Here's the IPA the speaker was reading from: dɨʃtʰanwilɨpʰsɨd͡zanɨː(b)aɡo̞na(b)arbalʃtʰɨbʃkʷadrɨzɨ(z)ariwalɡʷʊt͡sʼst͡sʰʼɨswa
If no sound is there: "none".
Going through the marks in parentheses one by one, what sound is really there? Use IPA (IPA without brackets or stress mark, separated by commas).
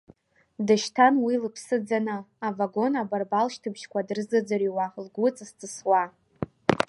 v, b, d͡z